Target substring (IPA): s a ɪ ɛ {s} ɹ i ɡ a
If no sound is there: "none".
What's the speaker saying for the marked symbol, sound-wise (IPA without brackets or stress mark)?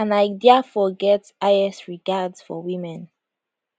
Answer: s